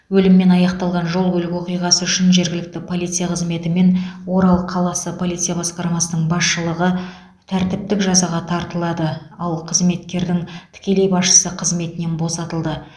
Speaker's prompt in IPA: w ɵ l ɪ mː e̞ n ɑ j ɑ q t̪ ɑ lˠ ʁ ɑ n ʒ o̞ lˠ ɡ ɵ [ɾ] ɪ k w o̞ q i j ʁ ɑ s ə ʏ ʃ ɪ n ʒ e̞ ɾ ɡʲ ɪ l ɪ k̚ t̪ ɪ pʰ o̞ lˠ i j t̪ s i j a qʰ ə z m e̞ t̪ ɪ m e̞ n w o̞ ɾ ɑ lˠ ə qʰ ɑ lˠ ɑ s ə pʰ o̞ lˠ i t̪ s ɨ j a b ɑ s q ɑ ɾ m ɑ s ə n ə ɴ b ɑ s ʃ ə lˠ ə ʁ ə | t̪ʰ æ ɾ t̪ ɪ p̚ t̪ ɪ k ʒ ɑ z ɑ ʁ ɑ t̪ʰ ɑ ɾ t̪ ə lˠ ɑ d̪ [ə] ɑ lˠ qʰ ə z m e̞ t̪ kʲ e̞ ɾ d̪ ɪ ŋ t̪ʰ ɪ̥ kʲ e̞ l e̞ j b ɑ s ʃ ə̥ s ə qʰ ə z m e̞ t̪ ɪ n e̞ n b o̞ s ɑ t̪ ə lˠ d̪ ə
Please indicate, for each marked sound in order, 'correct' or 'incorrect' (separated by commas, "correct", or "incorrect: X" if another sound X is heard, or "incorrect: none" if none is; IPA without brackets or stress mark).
incorrect: l, correct